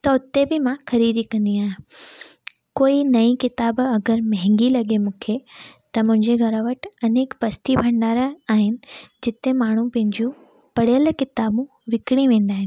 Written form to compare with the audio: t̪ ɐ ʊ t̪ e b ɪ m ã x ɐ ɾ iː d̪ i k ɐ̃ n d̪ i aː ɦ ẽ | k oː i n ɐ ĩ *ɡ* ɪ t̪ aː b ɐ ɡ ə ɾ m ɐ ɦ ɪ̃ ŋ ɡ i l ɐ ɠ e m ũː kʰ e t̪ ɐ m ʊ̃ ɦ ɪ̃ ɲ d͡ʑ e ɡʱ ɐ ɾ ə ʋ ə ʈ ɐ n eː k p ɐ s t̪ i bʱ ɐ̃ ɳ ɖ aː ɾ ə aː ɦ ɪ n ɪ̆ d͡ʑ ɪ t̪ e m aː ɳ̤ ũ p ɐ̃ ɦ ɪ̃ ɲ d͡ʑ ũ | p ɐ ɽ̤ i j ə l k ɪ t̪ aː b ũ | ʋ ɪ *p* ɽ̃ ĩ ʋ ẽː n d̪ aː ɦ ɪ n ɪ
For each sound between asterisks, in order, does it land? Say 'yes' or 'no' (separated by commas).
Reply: no, no